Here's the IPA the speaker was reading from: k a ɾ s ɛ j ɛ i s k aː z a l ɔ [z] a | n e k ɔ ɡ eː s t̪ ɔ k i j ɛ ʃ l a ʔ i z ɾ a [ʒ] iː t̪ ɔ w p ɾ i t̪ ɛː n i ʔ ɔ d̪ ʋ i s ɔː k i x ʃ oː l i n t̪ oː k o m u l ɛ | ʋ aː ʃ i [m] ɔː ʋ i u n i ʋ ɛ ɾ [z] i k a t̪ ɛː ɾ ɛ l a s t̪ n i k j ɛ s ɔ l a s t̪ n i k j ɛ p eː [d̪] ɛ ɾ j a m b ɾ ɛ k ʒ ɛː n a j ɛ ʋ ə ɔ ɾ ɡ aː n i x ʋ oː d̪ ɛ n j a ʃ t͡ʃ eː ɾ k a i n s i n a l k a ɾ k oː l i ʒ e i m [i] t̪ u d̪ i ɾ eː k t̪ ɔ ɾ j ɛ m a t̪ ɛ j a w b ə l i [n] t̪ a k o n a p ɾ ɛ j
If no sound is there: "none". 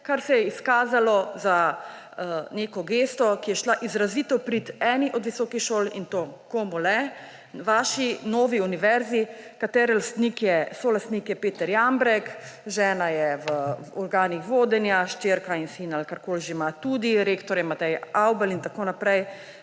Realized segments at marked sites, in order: z, z, n, z, t̪, a, n

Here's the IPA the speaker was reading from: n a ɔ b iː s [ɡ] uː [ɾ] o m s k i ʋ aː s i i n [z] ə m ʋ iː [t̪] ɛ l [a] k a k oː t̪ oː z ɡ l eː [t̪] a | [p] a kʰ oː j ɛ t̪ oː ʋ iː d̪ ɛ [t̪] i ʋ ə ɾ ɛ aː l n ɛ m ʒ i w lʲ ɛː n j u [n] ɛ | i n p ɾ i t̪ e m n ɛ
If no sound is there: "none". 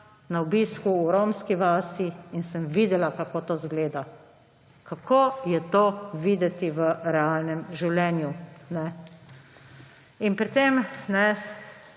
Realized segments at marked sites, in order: k, ɾ, s, d̪, a, d̪, k, t̪, n

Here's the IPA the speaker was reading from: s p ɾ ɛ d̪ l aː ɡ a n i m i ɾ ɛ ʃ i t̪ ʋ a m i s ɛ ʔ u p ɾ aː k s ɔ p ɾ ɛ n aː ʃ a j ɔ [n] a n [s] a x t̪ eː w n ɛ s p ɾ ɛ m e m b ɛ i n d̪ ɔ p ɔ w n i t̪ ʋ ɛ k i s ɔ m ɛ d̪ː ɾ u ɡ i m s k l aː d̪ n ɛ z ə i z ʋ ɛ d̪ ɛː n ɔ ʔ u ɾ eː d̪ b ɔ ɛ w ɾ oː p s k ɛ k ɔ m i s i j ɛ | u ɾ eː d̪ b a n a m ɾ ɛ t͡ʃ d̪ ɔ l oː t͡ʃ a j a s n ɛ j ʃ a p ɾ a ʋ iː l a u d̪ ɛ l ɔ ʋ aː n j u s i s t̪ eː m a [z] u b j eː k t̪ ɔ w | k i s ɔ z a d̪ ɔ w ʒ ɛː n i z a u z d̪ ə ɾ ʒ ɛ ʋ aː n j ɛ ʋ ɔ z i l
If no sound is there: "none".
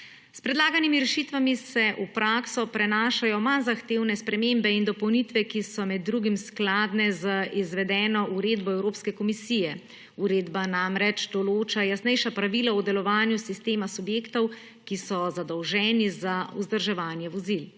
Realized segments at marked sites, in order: m, z, s

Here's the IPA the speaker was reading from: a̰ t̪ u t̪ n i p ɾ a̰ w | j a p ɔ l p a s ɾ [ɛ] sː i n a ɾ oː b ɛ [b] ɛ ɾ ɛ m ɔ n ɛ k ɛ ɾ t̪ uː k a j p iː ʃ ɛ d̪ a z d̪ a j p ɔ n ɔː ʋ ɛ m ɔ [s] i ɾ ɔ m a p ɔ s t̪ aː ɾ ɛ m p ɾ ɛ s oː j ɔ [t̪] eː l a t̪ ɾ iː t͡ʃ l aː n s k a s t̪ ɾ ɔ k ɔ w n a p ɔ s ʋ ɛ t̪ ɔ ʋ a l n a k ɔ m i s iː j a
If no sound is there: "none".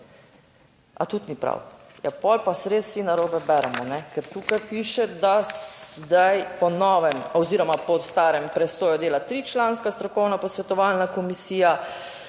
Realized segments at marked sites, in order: e, b, z, d̪

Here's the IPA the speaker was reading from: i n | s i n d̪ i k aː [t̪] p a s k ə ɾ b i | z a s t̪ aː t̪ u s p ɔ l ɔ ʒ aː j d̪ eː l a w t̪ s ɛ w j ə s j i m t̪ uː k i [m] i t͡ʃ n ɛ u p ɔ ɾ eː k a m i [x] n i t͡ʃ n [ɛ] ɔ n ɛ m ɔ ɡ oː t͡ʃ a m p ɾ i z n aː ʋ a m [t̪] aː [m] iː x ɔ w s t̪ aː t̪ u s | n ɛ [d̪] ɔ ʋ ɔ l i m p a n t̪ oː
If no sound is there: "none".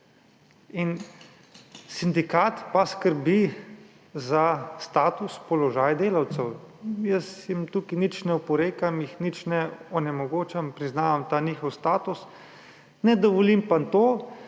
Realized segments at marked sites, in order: t̪, n, x, ɛ, t̪, n, d̪

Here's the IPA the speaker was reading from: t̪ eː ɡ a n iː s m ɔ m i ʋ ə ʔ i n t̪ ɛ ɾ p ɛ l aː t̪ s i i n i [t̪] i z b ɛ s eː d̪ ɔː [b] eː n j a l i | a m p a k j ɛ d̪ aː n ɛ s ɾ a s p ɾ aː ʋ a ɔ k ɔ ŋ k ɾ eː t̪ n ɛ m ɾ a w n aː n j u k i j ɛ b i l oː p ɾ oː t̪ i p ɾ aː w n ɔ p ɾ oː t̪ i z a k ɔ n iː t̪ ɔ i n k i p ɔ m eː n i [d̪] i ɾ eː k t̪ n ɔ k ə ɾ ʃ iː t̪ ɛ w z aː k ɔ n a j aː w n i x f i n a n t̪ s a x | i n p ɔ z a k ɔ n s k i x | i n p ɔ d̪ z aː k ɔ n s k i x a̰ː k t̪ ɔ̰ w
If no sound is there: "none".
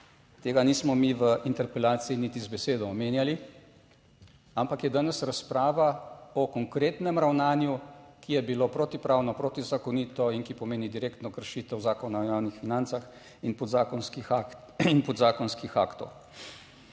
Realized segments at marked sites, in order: t̪, m, d̪

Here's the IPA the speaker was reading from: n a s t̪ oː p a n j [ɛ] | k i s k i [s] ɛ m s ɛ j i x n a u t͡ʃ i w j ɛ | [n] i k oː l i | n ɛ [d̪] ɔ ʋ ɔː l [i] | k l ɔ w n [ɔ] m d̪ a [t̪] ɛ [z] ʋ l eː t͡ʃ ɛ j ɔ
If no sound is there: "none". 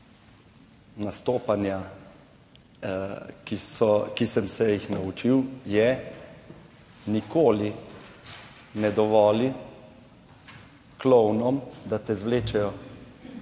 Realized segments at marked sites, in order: a, s, n, d̪, i, ɔ, t̪, z

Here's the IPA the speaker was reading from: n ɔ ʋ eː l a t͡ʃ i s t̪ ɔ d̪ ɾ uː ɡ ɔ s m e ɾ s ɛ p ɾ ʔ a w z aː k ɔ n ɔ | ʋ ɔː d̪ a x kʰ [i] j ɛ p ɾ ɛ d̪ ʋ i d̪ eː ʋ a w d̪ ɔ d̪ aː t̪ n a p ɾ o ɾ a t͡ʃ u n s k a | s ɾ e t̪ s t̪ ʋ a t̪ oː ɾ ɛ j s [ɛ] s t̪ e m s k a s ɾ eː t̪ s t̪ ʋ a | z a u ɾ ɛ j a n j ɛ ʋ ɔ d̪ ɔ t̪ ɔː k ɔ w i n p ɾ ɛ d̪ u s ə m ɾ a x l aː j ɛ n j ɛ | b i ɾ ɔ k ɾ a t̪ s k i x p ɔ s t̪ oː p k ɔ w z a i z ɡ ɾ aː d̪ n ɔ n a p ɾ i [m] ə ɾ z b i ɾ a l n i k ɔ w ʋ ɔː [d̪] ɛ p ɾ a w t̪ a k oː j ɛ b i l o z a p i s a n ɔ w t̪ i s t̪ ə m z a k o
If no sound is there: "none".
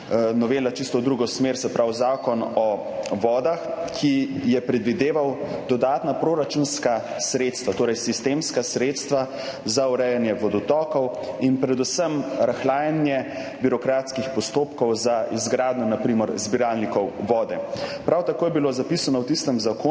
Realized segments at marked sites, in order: i, i, m, d̪

